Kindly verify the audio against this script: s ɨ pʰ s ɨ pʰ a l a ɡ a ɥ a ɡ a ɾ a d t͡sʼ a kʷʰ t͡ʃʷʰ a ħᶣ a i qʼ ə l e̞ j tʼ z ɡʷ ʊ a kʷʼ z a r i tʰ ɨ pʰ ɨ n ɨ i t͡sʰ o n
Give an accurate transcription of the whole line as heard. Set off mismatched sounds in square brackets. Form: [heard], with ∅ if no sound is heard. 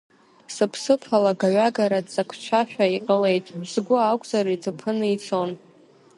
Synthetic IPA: s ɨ pʰ s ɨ pʰ a l a ɡ a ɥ a ɡ a ɾ a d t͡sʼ a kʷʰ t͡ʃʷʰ a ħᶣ a i qʼ ə l e̞ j tʼ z ɡʷ ʊ a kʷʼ z a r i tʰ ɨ pʰ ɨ n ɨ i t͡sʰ o n